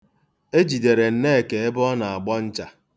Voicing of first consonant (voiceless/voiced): voiced